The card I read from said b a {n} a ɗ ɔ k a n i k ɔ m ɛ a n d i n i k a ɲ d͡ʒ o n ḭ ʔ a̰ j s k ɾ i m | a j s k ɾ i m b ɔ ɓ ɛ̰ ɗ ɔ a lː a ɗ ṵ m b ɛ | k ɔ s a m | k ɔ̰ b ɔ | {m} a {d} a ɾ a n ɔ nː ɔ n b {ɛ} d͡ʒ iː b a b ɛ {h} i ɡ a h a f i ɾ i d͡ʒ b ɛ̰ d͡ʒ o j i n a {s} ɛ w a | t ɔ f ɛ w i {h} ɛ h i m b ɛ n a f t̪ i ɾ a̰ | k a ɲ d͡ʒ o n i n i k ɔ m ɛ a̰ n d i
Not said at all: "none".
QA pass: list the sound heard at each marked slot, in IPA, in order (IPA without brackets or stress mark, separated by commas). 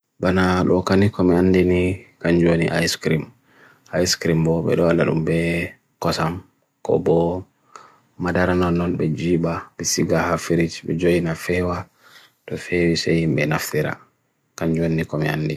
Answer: n, m, d, ɛ, s, f, s